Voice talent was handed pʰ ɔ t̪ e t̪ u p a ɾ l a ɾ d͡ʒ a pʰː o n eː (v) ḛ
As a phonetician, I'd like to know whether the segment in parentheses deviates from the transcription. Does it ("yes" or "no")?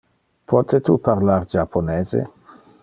yes